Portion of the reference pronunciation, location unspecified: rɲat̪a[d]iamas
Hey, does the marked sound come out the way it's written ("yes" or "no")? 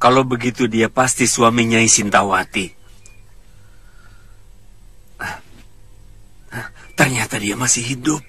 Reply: yes